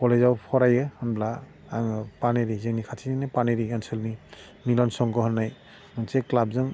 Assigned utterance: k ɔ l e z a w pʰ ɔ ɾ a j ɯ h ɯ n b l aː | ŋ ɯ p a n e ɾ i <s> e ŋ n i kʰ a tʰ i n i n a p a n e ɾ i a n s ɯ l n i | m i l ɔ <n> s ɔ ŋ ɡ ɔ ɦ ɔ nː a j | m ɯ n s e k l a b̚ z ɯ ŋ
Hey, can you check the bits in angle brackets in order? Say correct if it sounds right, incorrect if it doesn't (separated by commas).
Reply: incorrect, correct